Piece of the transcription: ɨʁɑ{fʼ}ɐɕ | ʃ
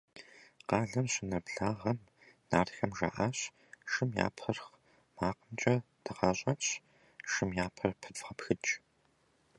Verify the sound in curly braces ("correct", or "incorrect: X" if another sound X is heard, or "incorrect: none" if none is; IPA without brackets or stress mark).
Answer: incorrect: ɕʼ